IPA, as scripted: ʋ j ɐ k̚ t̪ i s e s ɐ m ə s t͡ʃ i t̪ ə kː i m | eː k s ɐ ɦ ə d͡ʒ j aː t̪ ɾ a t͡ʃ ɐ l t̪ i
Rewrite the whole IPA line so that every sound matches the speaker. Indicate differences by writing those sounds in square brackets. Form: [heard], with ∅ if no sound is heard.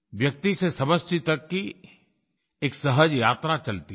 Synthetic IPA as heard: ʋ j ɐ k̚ t̪ i s e s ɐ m ə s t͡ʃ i t̪ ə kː i [∅] | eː k s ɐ ɦ ə d͡ʒ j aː t̪ ɾ a t͡ʃ ɐ l t̪ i

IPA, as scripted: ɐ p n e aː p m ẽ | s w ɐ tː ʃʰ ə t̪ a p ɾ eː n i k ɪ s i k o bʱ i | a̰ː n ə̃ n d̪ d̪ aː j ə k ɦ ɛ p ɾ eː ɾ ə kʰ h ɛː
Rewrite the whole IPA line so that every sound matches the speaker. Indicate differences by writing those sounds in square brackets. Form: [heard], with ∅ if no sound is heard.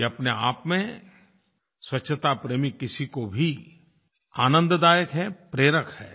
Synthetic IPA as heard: ɐ p n e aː p m ẽ | s w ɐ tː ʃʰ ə t̪ a p ɾ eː [m] i k ɪ s i k o bʱ i | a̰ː n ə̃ n d̪ d̪ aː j ə k ɦ ɛ p ɾ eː ɾ ə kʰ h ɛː

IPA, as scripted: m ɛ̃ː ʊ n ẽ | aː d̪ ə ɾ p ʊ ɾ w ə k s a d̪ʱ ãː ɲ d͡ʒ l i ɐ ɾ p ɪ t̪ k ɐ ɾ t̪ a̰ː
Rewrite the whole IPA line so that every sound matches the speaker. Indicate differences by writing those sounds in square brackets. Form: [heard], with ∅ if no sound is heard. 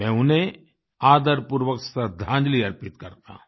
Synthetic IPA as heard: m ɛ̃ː ʊ n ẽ | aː d̪ ə ɾ p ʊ ɾ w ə k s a d̪ʱ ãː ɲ d͡ʒ l i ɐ ɾ p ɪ t̪ k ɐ ɾ t̪ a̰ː

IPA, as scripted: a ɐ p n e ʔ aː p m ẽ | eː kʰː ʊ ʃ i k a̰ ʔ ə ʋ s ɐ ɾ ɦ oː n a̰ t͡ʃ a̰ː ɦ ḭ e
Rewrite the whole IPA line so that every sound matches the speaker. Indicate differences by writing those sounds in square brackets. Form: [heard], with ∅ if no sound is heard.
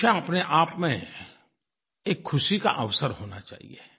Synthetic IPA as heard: a ɐ p n e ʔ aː p m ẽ | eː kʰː ʊ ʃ i k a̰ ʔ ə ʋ s [ə] ɾ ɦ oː n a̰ t͡ʃ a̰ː ɦ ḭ e

